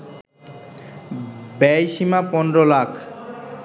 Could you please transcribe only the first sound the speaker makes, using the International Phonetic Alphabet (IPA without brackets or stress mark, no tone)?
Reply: b